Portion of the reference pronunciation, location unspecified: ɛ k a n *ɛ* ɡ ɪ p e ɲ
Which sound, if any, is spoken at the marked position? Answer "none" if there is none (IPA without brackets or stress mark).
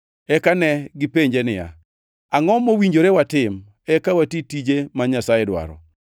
ɛ